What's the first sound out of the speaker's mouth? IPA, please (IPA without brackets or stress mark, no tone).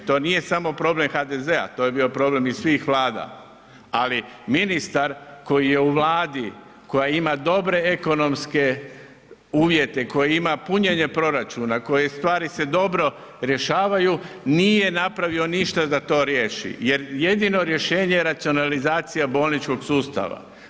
t̪